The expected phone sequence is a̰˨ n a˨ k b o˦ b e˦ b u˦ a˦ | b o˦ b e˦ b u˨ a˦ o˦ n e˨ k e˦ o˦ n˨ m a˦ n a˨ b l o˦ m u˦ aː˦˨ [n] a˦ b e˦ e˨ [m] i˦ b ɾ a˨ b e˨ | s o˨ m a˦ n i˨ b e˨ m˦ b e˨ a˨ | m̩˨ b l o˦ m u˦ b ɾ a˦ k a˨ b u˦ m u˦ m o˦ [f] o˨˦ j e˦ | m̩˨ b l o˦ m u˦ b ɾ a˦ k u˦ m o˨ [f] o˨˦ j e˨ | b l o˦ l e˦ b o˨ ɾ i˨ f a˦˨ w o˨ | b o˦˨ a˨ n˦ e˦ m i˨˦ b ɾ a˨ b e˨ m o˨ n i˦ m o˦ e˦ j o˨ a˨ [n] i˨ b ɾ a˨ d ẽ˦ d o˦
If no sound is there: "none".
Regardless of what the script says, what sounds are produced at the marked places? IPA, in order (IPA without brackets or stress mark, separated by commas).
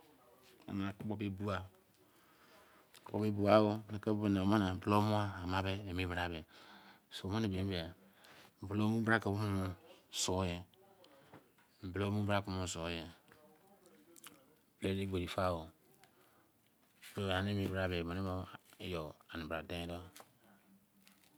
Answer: m, m, s, s, n